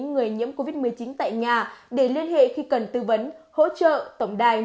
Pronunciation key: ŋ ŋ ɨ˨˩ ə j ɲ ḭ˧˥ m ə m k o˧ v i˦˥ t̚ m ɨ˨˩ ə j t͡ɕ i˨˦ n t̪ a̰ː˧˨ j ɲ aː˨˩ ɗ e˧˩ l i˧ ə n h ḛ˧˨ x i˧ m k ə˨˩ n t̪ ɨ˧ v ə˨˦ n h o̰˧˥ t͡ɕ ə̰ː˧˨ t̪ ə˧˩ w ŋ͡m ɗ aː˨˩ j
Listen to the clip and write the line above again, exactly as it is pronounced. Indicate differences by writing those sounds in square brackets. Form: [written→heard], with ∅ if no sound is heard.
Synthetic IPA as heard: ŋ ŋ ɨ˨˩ ə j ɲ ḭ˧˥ [m→∅] ə m k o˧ v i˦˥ t̚ m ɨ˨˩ ə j t͡ɕ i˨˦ n t̪ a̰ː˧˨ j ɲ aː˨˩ ɗ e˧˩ l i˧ ə n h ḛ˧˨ x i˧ [m→∅] k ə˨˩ n t̪ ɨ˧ v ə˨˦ n h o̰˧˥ t͡ɕ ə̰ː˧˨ t̪ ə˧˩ w ŋ͡m ɗ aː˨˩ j